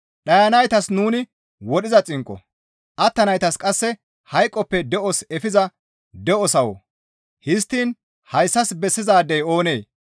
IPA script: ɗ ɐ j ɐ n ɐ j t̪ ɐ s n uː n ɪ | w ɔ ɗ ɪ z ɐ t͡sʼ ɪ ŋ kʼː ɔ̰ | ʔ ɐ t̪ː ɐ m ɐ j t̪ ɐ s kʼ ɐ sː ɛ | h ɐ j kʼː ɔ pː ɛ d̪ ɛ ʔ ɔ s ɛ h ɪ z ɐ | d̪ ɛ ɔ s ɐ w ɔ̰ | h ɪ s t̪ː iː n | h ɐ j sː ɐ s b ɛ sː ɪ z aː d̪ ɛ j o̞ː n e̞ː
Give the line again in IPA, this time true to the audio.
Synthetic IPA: ɗ ɐ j ɐ n ɐ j t̪ ɐ s n uː n ɪ | w ɔ ɗ ɪ z ɐ t͡sʼ ɪ ŋ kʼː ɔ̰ | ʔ ɐ t̪ː ɐ n ɐ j t̪ ɐ s kʼ ɐ sː ɛ | h ɐ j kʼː ɔ pː ɛ d̪ ɛ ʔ ɔ s ɛ f ɪ z ɐ | d̪ ɛ ɔ s ɐ w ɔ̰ | h ɪ s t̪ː iː n | h ɐ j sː ɐ s b ɛ sː ɪ z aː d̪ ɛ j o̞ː n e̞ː

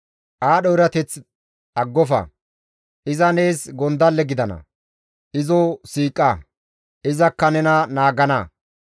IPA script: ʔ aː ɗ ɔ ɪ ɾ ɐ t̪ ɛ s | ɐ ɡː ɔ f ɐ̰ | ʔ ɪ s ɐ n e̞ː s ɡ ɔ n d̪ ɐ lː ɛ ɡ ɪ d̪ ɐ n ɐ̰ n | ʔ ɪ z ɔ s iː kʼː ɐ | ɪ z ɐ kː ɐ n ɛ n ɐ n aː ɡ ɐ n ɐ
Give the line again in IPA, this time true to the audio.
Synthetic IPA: ʔ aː ɗ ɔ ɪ ɾ ɐ t̪ ɛ t͡s | ɐ ɡː ɔ f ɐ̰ | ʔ ɪ z ɐ n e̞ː s ɡ ɔ n d̪ ɐ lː ɛ ɡ ɪ d̪ ɐ n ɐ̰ | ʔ ɪ z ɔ s iː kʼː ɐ | ɪ z ɐ kː ɐ n ɛ n ɐ n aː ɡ ɐ n ɐ

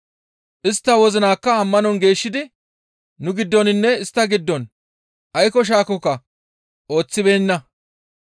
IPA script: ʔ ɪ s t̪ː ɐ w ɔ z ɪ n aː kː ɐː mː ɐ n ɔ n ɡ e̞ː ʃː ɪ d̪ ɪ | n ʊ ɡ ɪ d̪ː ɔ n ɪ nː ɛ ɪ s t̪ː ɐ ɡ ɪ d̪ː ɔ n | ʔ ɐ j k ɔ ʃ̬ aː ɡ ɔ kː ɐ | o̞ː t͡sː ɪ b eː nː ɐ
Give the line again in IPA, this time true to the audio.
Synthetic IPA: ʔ ɪ s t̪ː ɐ w ɔ z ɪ n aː kː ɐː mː ɐ n ɔ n ɡ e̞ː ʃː ɪ d̪ ɪ | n ʊ ɡ ɪ d̪ː ɔ n ɪ nː ɛ ɪ s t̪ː ɐ ɡ ɪ d̪ː ɔ n | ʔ ɐ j k ɔ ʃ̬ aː k ɔ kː ɐ | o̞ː t͡sː ɪ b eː nː ɐ

